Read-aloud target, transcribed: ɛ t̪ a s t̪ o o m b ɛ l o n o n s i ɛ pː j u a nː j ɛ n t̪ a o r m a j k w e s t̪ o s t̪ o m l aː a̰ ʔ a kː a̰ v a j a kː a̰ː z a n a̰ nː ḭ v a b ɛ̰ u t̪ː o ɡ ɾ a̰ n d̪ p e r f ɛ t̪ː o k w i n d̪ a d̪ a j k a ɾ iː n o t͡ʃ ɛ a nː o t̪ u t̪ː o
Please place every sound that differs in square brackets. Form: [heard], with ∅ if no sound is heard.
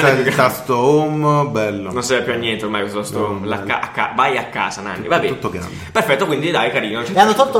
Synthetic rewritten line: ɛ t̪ a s t̪ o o m b ɛ [lː] o n o n s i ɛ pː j u a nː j ɛ n t̪ [e] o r m a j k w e s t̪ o s t̪ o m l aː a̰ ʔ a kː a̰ v a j a kː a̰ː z a n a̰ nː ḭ v a b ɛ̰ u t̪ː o ɡ ɾ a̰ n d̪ p e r f ɛ t̪ː o k w i n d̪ [i] d̪ a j k a ɾ iː n o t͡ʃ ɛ a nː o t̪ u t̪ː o